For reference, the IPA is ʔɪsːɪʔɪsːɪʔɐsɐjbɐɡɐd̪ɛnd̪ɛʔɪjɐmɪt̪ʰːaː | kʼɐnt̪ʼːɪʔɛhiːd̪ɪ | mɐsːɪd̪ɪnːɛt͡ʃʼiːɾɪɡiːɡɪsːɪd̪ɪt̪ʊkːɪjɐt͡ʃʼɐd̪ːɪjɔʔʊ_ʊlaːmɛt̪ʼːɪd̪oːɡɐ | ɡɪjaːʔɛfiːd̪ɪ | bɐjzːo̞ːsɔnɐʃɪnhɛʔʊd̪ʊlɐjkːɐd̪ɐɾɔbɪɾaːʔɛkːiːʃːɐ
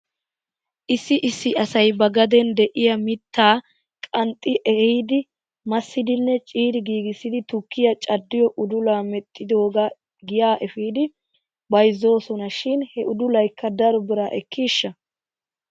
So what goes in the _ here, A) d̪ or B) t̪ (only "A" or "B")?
A